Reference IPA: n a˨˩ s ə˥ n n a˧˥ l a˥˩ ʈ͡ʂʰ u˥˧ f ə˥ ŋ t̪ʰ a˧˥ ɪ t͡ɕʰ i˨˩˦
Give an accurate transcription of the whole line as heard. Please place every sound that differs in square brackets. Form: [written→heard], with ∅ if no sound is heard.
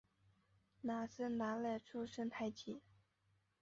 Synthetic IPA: n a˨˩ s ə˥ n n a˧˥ l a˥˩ ʈ͡ʂʰ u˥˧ [f→ʂ] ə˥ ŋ t̪ʰ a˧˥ ɪ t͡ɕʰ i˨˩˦